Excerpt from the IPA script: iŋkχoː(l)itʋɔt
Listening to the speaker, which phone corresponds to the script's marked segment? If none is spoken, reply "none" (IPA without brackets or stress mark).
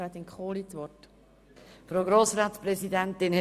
l